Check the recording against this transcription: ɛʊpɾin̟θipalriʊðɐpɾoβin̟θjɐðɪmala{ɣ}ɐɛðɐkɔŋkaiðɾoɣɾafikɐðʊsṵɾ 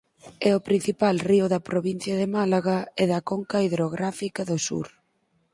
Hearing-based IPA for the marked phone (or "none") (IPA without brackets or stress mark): ɣ